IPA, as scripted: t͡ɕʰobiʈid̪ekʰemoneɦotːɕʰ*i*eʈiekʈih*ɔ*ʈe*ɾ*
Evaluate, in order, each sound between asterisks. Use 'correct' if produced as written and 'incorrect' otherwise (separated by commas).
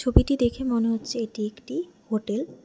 incorrect, incorrect, incorrect